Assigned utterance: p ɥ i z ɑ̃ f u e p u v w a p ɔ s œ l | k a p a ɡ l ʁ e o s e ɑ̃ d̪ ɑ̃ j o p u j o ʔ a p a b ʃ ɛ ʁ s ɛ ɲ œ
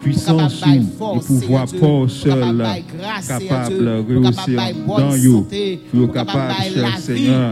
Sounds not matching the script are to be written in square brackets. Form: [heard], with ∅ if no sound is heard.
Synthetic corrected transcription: p ɥ i [s] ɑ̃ [s] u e p u v w a p ɔ s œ l | k a p a [b] l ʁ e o s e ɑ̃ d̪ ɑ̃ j o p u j o [k] a p a b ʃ ɛ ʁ s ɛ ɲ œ